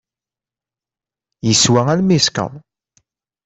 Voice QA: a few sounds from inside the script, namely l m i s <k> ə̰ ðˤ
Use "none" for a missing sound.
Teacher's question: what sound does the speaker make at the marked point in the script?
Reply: k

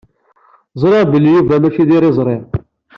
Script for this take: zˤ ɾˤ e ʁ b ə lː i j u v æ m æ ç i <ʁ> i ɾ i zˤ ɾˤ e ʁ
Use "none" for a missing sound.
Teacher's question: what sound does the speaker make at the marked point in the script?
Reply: ð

